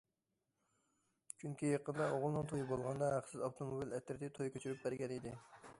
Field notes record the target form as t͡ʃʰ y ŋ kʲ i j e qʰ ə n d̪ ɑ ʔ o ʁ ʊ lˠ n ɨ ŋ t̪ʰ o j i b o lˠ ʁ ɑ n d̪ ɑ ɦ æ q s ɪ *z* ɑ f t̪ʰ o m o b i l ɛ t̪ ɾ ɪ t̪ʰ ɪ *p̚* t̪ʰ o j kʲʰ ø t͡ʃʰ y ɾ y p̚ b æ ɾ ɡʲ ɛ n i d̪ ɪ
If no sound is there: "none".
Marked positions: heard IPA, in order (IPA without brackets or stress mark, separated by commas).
z, none